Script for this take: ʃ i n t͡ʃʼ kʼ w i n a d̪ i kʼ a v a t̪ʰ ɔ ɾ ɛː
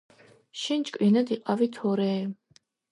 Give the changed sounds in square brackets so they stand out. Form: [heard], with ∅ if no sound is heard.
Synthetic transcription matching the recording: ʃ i n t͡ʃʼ kʼ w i n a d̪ i [qʼ] a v [i] t̪ʰ ɔ ɾ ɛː

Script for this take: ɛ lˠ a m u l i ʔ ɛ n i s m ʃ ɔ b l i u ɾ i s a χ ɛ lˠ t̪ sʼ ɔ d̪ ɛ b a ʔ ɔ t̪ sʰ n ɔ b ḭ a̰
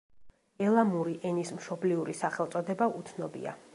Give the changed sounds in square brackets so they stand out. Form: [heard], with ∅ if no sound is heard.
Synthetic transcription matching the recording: ɛ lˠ a m u [ɾ] i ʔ ɛ n i s m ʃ ɔ b l i u ɾ i s a χ ɛ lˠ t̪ sʼ ɔ d̪ ɛ b a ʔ [u] t̪ sʰ n ɔ b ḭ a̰

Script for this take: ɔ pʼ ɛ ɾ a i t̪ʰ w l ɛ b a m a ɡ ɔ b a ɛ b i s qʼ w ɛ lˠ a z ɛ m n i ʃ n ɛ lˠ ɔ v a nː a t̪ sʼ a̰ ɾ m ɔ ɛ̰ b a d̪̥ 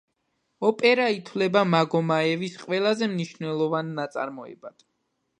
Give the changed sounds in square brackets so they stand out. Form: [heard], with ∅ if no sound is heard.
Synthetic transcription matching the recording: ɔ pʼ ɛ ɾ a i t̪ʰ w l ɛ b a m a ɡ ɔ [m] a ɛ [v] i s qʼ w ɛ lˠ a z ɛ m n i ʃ n ɛ lˠ ɔ v a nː a t̪ sʼ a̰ ɾ m ɔ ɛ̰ b a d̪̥

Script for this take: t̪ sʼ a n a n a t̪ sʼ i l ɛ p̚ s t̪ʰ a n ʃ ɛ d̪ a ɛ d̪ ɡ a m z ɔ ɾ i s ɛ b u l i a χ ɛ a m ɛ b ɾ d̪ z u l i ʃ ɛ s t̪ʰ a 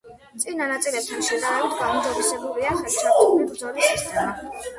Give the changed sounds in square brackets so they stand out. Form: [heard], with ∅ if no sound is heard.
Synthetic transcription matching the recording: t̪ sʼ [i] n a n a t̪ sʼ i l ɛ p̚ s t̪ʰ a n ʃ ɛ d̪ a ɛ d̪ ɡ a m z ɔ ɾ i s ɛ b u l i a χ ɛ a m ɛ b ɾ d̪ z [ɔ] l i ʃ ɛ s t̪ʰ a

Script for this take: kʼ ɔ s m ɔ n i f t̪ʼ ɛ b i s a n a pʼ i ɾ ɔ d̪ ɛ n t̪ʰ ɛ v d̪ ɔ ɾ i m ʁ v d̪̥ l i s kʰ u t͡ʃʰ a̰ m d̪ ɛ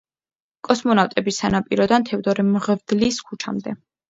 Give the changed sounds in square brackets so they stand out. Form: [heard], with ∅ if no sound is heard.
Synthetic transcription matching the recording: kʼ ɔ s m ɔ n [a] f t̪ʼ ɛ b i s a n a pʼ i ɾ ɔ d̪ [a] n t̪ʰ ɛ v d̪ ɔ ɾ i m ʁ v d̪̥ l i s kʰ u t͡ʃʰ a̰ m d̪ ɛ

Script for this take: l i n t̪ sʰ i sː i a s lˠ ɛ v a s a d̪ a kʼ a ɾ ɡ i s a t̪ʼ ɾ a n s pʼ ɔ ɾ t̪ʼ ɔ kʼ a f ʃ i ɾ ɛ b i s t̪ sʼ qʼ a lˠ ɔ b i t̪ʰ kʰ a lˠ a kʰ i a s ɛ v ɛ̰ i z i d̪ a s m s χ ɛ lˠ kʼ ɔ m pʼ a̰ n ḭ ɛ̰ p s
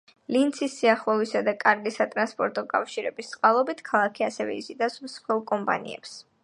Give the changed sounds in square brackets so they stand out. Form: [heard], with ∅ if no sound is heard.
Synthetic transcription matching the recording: l i n t̪ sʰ i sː i a [χ] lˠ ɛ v [i] s a d̪ a kʼ a ɾ ɡ i s a t̪ʼ ɾ a n s pʼ ɔ ɾ t̪ʼ ɔ kʼ a f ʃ i ɾ ɛ b i s t̪ sʼ qʼ a lˠ ɔ b i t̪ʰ kʰ a lˠ a kʰ i a s ɛ v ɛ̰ i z i d̪ a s m s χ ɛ lˠ kʼ ɔ m pʼ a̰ n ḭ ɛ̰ p s

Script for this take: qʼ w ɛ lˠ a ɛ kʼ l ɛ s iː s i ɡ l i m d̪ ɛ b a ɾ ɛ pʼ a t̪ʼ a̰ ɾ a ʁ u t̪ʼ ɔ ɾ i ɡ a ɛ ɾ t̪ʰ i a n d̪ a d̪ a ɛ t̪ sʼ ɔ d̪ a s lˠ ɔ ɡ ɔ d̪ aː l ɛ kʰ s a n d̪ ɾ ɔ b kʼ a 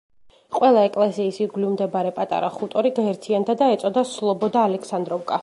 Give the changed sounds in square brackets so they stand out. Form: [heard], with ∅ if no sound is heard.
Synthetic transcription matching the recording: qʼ w ɛ lˠ a ɛ kʼ l ɛ s iː s i ɡ l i m d̪ ɛ b a ɾ ɛ pʼ a t̪ʼ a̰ ɾ a [χ] u t̪ʼ ɔ ɾ i ɡ a ɛ ɾ t̪ʰ i a n d̪ a d̪ a ɛ t̪ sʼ ɔ d̪ a s lˠ ɔ [b] ɔ d̪ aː l ɛ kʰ s a n d̪ ɾ ɔ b kʼ a

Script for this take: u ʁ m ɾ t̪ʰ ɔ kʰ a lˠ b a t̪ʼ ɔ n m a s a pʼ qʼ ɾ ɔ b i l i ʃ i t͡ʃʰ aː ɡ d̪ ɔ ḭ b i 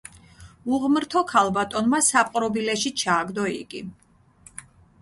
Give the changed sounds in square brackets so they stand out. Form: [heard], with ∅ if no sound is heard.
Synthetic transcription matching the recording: u ʁ m ɾ t̪ʰ ɔ kʰ a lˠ b a t̪ʼ ɔ n m a s a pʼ qʼ ɾ ɔ b i l [ɛ] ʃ i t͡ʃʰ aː ɡ d̪ ɔ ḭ [ɡ] i

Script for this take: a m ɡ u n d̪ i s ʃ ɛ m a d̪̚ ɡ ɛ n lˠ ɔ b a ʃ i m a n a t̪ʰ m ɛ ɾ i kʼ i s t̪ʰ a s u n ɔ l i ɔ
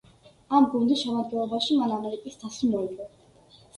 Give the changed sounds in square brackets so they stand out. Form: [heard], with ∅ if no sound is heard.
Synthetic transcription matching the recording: a m ɡ u n d̪ i s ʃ ɛ m a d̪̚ ɡ ɛ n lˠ ɔ b a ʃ i m a n a [∅] m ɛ ɾ i kʼ i s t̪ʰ a s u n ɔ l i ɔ

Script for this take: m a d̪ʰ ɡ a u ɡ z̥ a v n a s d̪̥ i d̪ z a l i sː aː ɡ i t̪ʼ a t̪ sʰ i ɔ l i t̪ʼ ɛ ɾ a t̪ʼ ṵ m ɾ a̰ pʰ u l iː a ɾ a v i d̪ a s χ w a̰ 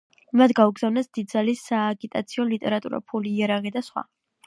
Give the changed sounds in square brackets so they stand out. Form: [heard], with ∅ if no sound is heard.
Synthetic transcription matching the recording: m a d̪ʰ ɡ a u ɡ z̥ a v n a s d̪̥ i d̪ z a l i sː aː ɡ i t̪ʼ a t̪ sʰ i ɔ l i t̪ʼ ɛ ɾ a t̪ʼ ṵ [∅] ɾ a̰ pʰ u l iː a ɾ a [ʁ] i d̪ a s χ w a̰

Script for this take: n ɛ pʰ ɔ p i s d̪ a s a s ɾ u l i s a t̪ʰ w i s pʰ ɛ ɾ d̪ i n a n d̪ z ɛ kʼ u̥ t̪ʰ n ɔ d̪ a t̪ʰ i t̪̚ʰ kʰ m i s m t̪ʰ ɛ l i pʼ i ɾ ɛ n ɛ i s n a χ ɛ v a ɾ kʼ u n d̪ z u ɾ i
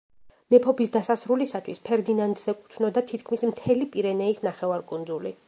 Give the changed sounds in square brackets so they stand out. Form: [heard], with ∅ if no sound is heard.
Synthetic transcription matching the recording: n ɛ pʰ ɔ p i s d̪ a s a s ɾ u l i s a t̪ʰ w i s pʰ ɛ ɾ d̪ i n a n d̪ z ɛ kʼ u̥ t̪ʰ n ɔ d̪ a t̪ʰ i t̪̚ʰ kʰ m i s m t̪ʰ ɛ l i pʼ i ɾ ɛ n ɛ i s n a χ ɛ v a ɾ kʼ u n d̪ z u [l] i

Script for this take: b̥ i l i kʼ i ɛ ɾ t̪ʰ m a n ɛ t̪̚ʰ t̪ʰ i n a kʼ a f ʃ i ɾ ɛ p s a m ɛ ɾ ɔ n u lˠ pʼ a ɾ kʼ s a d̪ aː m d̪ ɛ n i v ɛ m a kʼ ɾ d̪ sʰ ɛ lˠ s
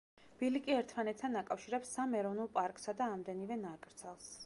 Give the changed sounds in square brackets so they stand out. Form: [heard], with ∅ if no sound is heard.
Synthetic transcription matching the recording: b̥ i l i kʼ i ɛ ɾ t̪ʰ m a n ɛ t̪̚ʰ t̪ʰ [a] n a kʼ a f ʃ i ɾ ɛ p s a m ɛ ɾ ɔ n u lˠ pʼ a ɾ kʼ s a d̪ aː m d̪ ɛ n i v ɛ [n] a kʼ ɾ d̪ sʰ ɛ lˠ s

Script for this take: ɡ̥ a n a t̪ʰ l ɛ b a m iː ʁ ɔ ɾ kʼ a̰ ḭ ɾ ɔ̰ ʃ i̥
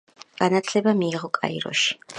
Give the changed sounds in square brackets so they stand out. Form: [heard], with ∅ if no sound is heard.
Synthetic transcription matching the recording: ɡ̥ a n a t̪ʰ l ɛ b a m iː ʁ ɔ [∅] kʼ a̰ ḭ ɾ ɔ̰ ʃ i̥

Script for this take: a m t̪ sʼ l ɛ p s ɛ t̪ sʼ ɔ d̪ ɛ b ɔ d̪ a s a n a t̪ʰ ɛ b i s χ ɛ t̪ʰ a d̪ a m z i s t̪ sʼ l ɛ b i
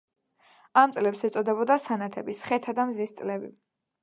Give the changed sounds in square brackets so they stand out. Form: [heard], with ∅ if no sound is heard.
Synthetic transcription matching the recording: a m t̪ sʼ l ɛ p s ɛ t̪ sʼ ɔ d̪ ɛ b ɔ d̪ a s a n a t̪ʰ ɛ b i s χ ɛ t̪ʰ a d̪ a m z i s t̪ sʼ l ɛ b i

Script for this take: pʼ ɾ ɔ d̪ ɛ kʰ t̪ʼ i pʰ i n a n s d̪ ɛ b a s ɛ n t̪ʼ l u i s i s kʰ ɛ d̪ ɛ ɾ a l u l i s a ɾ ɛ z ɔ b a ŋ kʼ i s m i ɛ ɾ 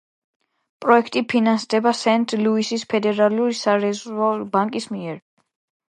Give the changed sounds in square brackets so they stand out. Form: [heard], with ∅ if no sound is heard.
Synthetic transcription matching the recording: pʼ ɾ ɔ [∅] ɛ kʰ t̪ʼ i pʰ i n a n s d̪ ɛ b a s ɛ n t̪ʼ l u i s i s [pʰ] ɛ d̪ ɛ ɾ a l u [ɾ] i s a ɾ ɛ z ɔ b a ŋ kʼ i s m i ɛ ɾ

